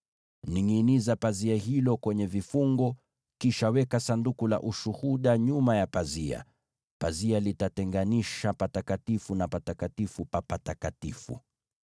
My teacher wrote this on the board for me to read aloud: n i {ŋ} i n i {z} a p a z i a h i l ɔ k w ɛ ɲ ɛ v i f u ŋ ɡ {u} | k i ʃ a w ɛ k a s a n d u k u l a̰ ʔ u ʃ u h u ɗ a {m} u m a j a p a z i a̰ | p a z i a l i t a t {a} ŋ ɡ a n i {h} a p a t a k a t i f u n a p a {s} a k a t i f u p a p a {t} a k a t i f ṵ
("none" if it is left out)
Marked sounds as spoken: ŋ, z, ɔ, ɲ, ɛ, ʃ, t, t

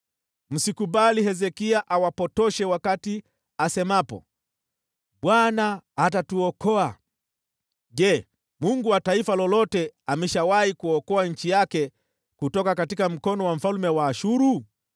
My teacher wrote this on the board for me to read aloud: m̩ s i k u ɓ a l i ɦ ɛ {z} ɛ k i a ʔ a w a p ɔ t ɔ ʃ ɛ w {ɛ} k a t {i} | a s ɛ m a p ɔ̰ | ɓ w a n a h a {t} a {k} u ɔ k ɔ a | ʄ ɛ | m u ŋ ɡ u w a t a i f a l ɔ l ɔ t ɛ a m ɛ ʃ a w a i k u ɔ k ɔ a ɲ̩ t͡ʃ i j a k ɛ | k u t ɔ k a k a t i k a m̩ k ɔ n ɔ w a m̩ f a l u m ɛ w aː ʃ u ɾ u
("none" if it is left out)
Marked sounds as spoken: z, a, i, t, t

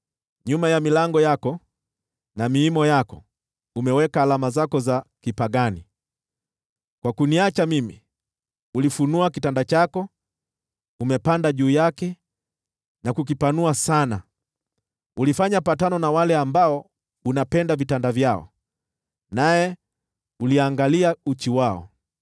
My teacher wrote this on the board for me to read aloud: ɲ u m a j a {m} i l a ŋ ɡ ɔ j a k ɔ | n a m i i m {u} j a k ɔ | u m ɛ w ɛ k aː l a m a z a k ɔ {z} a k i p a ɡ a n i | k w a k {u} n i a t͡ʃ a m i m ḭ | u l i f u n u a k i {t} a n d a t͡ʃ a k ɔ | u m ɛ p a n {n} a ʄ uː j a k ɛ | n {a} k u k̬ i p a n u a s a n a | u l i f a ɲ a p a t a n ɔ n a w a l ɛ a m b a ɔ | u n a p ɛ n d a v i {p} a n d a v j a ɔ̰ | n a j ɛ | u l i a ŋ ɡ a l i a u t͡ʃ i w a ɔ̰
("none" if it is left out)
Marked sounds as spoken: m, ɔ, z, u, t, d, a, t

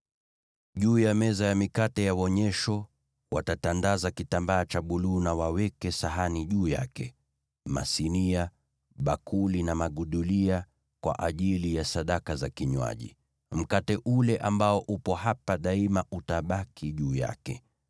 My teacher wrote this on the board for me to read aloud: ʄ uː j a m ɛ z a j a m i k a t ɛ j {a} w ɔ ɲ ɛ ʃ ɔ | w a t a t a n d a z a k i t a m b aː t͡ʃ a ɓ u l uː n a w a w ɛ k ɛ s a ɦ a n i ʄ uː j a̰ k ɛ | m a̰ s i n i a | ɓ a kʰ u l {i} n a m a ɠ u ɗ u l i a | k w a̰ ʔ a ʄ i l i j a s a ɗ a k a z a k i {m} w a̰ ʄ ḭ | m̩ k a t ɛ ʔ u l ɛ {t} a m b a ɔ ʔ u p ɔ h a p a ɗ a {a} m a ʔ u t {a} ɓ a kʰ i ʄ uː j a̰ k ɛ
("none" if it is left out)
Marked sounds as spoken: a, i, ɲ, ʔ, i, a

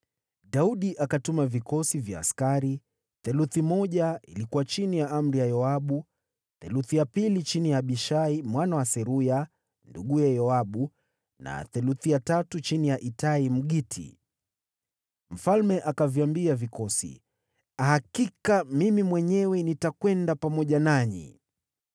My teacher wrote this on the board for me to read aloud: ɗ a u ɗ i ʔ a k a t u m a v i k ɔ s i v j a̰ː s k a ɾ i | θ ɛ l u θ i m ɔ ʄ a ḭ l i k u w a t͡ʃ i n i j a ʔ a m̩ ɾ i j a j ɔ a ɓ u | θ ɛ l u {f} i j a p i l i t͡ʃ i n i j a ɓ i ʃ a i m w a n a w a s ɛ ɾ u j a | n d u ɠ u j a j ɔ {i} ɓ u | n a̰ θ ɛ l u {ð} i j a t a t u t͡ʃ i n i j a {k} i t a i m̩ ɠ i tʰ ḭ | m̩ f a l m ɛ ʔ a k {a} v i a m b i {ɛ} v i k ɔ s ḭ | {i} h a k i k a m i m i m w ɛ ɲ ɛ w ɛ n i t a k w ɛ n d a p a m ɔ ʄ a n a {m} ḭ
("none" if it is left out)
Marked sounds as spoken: θ, a, θ, ʔ, a, a, a, ɲ

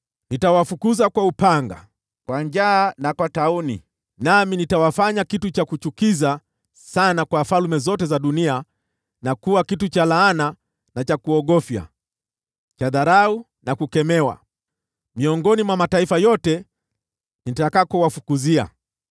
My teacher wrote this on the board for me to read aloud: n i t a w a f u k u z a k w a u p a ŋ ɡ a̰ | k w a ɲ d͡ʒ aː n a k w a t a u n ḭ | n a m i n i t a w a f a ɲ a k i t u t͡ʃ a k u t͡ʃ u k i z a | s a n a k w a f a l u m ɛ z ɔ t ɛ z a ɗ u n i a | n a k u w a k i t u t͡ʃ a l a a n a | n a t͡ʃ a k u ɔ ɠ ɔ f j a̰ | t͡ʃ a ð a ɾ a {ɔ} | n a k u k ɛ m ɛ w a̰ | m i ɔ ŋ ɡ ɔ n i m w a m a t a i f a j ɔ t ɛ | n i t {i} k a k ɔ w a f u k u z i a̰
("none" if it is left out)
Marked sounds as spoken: u, a

